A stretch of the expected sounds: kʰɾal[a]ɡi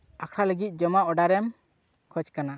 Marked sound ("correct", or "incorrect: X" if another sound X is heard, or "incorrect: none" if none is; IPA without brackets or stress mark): incorrect: ə